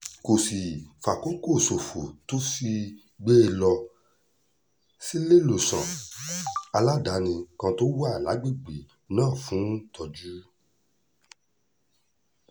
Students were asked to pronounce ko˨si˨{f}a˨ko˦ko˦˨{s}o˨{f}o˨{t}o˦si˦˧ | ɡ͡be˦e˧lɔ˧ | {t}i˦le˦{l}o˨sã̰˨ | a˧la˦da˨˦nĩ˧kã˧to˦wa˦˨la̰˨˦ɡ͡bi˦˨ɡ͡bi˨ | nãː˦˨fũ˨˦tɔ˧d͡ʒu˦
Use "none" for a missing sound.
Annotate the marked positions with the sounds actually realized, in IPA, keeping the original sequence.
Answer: f, s, f, t, s, l

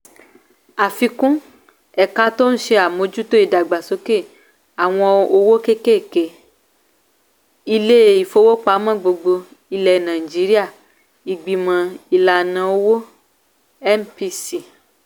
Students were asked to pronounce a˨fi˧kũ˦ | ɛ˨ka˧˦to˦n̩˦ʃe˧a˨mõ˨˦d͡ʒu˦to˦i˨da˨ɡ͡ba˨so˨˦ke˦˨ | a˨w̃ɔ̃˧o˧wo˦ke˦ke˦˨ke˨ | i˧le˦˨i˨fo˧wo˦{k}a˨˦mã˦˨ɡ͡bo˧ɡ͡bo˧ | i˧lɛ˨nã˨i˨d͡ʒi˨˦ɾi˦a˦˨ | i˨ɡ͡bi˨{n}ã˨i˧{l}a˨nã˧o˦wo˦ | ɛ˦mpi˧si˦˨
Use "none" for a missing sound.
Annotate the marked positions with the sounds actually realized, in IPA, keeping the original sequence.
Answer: k͡p, m, l

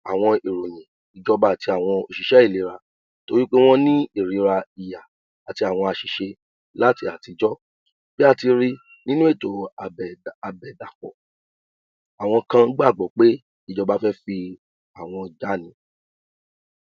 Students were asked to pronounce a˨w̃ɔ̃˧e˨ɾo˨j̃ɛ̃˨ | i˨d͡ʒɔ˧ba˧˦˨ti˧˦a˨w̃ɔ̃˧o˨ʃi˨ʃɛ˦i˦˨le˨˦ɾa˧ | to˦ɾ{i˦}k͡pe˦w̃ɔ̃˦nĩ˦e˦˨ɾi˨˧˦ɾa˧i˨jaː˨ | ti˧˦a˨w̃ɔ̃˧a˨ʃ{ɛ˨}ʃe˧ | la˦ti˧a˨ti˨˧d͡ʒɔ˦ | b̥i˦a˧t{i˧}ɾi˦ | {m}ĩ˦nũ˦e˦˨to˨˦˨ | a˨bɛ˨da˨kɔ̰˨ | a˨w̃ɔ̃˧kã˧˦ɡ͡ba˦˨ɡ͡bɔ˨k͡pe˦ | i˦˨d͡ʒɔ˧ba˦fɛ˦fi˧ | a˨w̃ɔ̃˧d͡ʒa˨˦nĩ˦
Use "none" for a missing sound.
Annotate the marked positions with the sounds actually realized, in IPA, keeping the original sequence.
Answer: i˦, i˨, i˧, n

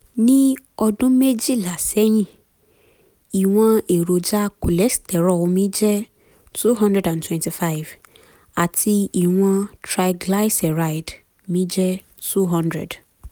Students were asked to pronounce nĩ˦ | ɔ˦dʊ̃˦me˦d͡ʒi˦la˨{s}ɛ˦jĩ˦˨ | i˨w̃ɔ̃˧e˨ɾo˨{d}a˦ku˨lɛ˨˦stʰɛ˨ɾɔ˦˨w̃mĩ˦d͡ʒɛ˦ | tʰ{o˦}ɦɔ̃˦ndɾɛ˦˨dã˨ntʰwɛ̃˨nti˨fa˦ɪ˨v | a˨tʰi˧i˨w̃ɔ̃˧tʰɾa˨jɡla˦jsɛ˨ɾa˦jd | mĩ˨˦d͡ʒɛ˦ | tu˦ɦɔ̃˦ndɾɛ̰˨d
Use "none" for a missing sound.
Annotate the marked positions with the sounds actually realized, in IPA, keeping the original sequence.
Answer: s, d͡ʒ, u˦

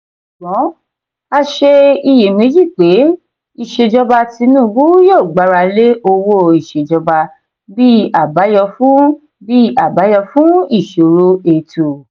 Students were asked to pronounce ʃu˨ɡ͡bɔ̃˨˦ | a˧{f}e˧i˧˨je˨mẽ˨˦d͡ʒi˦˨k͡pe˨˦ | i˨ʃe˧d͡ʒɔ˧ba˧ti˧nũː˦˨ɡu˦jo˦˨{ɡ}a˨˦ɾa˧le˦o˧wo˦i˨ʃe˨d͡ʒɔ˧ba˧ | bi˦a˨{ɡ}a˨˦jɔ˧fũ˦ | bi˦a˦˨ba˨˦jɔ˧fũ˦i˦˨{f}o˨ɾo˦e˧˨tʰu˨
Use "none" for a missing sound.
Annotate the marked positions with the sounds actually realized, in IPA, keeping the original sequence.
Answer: ʃ, ɡ͡b, b, ʃ

